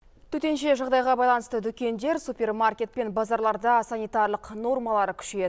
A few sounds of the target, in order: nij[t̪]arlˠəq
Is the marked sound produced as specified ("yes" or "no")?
yes